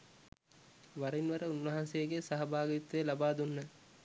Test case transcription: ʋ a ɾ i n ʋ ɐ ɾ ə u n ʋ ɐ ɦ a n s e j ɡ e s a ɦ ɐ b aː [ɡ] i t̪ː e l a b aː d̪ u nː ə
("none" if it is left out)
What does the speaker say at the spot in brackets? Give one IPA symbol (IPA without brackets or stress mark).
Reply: ɡ